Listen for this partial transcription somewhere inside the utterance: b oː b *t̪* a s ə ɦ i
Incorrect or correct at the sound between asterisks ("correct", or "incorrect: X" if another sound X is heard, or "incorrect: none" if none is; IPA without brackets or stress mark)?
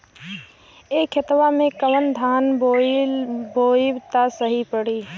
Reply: correct